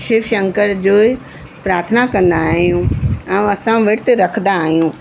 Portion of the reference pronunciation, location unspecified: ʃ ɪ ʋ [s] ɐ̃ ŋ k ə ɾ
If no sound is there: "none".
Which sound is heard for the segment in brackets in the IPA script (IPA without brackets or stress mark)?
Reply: ʃ